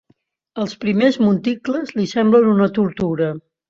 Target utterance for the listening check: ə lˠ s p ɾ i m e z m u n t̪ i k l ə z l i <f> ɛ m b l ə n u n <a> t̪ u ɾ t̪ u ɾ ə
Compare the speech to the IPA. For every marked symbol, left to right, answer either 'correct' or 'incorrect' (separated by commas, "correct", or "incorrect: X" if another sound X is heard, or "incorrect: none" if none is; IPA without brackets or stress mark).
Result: incorrect: s, incorrect: ə